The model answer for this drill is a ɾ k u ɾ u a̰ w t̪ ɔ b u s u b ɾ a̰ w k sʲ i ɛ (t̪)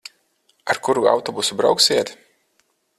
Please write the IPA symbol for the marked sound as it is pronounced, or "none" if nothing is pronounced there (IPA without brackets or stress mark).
t̪